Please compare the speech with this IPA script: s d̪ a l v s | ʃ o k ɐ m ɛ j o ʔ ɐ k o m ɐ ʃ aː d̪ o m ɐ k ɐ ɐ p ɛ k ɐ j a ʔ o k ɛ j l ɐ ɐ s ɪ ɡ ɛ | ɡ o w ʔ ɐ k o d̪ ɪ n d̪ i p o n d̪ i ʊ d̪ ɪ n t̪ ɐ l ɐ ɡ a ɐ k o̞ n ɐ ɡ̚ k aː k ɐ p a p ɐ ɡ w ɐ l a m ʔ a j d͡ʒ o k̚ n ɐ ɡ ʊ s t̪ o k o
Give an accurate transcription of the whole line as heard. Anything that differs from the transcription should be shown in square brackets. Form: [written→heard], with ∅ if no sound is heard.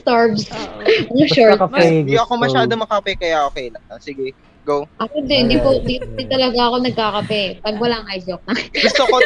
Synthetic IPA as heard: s [d̪→t̪] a [l→ɹ] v s | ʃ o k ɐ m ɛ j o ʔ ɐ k o m ɐ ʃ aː d̪ o m ɐ k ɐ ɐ p ɛ k ɐ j a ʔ o k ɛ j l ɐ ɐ s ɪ ɡ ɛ | ɡ o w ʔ ɐ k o d̪ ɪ n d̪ i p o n d̪ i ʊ d̪ ɪ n t̪ ɐ l ɐ ɡ a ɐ k o̞ n ɐ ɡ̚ k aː k ɐ p [a→ɛ] p ɐ ɡ w ɐ l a [m→ŋ] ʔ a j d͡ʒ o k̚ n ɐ ɡ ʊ s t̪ o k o